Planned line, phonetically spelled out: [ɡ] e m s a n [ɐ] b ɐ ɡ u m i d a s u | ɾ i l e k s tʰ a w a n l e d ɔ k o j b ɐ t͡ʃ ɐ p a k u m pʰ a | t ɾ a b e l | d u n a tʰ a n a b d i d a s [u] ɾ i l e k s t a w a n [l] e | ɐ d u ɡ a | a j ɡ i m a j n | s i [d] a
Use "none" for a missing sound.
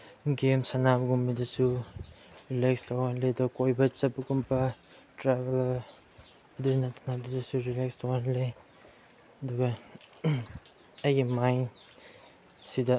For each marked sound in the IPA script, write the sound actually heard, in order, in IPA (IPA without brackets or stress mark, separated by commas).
ɡ, a, u, l, d